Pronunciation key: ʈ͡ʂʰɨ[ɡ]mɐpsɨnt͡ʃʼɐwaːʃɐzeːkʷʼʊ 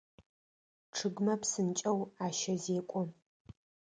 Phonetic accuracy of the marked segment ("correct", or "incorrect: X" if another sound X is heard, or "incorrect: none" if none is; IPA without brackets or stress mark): correct